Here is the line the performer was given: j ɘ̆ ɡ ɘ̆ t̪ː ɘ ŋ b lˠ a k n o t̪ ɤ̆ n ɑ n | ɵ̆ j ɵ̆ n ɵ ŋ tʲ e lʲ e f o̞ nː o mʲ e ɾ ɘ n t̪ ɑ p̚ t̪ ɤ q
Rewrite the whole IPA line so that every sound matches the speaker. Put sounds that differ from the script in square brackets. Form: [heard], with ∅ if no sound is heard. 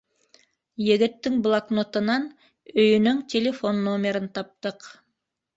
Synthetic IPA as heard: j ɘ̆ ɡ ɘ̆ t̪ː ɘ ŋ b lˠ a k n o t̪ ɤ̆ n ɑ n | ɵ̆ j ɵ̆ n ɵ ŋ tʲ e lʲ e f o̞ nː o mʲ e ɾ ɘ n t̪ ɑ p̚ t̪ ɤ q